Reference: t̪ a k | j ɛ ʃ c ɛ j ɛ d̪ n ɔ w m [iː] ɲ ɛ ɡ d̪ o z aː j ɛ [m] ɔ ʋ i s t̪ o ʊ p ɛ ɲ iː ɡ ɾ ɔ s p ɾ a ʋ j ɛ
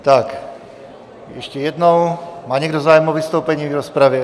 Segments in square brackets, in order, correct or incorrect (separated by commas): incorrect, correct